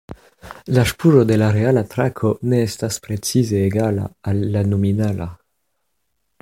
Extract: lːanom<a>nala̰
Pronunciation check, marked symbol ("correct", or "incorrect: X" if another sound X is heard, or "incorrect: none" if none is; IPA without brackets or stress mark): incorrect: i